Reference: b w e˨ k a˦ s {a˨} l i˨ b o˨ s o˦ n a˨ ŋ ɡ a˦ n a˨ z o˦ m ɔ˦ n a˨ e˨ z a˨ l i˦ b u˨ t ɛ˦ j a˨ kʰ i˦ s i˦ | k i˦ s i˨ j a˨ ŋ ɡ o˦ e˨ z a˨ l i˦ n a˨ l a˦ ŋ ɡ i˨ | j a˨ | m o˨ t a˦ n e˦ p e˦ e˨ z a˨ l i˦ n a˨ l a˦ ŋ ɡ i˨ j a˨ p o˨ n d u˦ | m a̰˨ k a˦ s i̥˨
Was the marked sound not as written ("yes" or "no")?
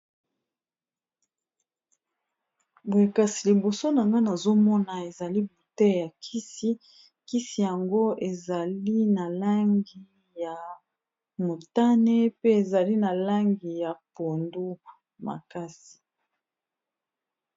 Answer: yes